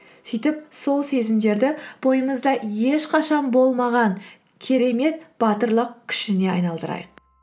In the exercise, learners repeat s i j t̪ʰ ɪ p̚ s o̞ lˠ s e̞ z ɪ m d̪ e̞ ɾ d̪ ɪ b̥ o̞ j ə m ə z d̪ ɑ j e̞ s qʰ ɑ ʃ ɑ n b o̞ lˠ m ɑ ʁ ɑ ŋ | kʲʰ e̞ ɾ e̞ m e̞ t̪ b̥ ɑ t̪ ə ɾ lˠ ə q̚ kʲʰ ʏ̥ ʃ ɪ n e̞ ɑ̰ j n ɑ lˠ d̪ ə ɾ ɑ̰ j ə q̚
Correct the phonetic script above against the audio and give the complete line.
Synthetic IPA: s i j t̪ ɪ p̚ s o̞ lˠ s e̞ z ɪ m d̪ e̞ ɾ d̪ ɪ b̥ o̞ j ə m ə z d̪ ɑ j e̞ ʃ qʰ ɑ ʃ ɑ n b o̞ lˠ m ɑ ʁ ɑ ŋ | kʲʰ e̞ ɾ e̞ m e̞ t̪ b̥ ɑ t̪ ə ɾ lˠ ə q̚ kʲʰ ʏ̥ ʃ ɪ n e̞ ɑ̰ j n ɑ lˠ d̪ ə ɾ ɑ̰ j ə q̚